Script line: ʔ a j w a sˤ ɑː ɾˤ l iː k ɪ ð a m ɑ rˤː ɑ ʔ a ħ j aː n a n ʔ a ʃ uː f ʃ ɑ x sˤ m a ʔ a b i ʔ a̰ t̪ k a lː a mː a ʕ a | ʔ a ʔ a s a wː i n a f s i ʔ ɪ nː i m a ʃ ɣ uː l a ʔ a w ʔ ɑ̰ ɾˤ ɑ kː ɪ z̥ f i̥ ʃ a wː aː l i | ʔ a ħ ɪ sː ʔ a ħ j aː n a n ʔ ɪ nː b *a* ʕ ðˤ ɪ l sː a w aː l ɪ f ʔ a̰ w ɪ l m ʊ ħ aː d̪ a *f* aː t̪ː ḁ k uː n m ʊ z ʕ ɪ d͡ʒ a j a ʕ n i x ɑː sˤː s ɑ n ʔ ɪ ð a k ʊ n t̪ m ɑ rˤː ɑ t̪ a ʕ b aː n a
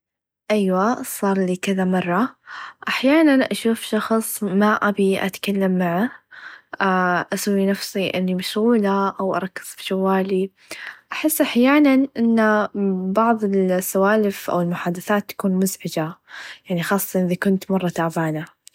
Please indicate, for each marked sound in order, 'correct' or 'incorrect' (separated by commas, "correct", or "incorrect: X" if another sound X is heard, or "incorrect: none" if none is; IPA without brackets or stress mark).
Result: incorrect: ɑ, incorrect: θ